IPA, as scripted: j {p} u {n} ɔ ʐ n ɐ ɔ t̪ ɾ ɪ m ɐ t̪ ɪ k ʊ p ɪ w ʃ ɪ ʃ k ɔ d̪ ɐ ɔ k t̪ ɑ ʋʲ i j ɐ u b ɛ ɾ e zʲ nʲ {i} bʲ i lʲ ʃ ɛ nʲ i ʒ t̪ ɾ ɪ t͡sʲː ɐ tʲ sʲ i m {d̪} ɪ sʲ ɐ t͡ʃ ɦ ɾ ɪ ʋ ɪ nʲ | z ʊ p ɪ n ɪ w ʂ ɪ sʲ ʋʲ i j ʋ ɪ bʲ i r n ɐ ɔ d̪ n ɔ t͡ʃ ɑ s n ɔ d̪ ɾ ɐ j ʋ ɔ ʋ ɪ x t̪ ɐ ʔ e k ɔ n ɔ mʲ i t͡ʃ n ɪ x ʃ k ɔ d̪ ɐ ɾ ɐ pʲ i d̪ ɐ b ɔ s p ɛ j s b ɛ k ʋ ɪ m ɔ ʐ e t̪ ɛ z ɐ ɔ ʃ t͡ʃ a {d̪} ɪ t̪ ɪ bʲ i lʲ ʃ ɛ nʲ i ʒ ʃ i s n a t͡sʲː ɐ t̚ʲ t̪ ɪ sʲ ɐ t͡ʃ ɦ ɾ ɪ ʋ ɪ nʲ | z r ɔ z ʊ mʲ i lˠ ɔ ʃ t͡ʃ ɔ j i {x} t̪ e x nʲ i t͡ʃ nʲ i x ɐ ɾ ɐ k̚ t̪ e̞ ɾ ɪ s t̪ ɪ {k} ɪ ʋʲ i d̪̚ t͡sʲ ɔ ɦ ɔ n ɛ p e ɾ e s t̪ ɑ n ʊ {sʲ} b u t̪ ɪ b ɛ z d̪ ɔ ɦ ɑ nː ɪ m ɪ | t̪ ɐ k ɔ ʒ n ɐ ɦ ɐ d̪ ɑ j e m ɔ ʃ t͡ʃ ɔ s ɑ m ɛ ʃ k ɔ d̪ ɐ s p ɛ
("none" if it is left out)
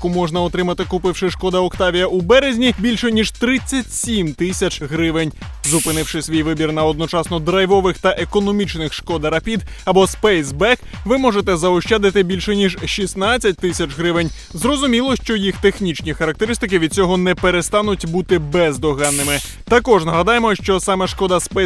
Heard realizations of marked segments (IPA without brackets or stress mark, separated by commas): k, m, i, t̪, d̪, x, k, tʲ